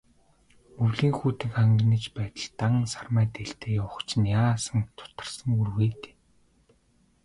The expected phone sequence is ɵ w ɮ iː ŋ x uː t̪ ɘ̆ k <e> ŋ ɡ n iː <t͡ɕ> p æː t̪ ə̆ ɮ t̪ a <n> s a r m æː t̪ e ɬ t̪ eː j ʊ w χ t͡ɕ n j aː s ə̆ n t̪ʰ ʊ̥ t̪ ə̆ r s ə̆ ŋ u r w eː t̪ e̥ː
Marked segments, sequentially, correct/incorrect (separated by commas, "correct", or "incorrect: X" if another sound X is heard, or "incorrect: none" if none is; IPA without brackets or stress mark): incorrect: a, correct, incorrect: ŋ